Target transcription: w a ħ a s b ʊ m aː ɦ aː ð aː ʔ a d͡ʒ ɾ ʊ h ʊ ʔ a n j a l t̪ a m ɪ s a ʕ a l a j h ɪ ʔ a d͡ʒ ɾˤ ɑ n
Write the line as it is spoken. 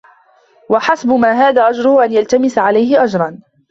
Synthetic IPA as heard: w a ħ a s b ʊ m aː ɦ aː ð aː ʔ a d͡ʒ ɾ ʊ h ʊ ʔ a n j a l t̪ a m ɪ s a ʕ a l a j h ɪ ʔ a d͡ʒ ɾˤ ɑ n